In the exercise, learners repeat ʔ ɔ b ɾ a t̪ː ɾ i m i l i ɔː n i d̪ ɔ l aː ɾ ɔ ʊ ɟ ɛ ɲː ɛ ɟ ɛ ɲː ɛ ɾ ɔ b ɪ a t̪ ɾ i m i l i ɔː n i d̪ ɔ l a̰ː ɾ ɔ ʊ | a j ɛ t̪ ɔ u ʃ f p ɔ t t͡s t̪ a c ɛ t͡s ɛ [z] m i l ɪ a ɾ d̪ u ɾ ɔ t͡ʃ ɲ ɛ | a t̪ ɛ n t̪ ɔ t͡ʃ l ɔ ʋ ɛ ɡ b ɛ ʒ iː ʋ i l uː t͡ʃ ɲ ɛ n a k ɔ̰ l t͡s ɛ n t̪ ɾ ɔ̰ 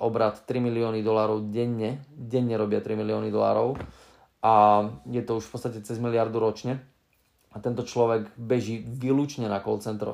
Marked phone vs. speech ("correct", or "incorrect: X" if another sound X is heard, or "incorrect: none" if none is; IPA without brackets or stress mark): correct